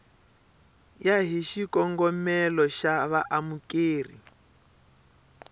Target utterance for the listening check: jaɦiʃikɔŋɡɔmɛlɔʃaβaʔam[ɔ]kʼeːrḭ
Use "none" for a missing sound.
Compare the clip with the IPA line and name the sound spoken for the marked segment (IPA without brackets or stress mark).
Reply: u